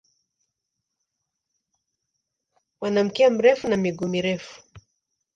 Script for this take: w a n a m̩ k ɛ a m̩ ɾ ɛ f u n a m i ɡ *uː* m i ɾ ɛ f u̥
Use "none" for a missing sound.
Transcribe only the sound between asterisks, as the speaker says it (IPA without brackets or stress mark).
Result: u